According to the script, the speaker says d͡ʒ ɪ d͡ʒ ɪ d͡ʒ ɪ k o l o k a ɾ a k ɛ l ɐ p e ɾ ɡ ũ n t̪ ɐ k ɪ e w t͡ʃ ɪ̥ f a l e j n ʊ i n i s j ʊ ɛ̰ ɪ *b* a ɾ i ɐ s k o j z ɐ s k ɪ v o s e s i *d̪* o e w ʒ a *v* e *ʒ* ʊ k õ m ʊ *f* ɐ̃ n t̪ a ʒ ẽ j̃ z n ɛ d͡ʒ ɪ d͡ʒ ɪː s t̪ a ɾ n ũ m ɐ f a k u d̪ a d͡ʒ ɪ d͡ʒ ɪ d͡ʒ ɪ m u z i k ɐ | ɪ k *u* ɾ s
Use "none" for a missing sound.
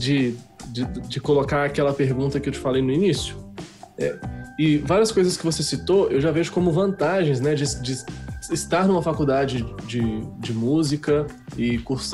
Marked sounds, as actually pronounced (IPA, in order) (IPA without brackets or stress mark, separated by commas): v, t̪, v, ʒ, v, u